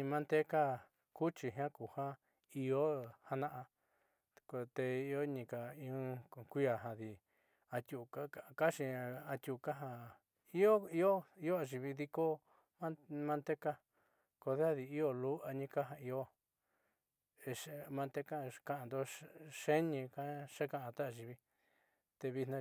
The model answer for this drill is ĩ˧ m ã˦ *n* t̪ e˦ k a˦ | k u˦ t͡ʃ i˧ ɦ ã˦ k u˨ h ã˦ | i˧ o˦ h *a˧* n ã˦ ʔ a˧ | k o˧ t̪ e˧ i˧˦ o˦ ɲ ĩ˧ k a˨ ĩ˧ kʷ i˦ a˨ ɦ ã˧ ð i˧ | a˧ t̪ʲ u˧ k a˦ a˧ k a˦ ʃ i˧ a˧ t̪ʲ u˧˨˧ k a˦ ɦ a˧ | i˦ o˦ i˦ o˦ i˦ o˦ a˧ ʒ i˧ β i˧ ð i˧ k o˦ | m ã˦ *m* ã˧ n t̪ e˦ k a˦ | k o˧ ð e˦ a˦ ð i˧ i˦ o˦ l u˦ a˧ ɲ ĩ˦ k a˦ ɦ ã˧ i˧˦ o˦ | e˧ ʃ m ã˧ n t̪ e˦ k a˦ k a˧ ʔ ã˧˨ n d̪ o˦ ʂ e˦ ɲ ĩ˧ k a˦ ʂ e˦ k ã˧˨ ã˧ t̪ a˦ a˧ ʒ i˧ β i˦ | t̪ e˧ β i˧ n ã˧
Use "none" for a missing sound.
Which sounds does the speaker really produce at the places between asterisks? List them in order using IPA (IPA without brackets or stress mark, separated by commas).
n, a˧, m